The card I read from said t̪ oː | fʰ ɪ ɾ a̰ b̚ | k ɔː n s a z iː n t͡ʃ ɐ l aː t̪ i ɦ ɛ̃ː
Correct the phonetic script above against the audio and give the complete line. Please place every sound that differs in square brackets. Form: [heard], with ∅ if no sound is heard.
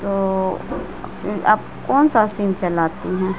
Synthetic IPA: t̪ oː | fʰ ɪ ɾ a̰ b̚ | k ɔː n s a [s] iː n t͡ʃ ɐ l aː t̪ i ɦ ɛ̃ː